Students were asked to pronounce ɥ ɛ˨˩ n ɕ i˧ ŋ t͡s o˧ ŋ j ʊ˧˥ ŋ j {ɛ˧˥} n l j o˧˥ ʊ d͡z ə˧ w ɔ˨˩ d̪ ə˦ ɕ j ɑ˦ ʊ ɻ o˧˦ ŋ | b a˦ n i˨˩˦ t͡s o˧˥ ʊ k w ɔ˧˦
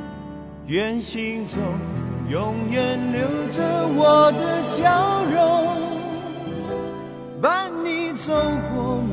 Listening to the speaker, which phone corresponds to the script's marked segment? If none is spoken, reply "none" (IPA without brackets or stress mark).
ɛ˨˩